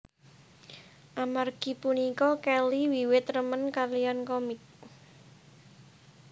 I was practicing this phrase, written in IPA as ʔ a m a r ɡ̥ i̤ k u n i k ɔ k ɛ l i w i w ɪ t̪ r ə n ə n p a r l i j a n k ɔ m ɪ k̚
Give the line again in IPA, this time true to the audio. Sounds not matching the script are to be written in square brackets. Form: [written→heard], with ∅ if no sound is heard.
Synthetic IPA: ʔ a m a r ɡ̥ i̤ [k→p] u n i k ɔ k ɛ l i w i w ɪ t̪ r ə [n→m] ə n [p→k] a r l i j a n k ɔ m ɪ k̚